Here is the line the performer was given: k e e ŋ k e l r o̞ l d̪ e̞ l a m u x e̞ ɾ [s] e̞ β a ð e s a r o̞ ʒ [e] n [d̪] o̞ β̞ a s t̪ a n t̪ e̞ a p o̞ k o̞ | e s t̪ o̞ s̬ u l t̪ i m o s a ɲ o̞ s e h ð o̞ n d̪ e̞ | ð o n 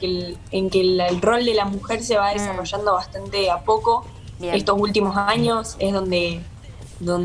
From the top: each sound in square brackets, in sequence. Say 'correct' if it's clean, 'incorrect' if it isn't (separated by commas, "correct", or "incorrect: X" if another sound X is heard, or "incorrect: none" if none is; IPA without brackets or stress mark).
correct, incorrect: a, correct